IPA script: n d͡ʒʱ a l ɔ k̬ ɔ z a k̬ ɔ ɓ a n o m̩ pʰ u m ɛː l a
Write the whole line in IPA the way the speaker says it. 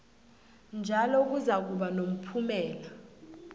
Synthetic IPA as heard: n d͡ʒʱ a l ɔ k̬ u z a k̬ u ɓ a n o m̩ pʰ u m ɛː l a